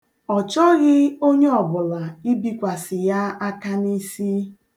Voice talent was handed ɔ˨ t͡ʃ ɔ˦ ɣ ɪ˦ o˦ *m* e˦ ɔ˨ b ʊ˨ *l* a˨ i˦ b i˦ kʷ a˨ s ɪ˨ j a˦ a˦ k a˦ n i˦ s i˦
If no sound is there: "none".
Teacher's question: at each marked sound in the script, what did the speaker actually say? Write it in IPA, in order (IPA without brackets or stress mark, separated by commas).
ɲ, l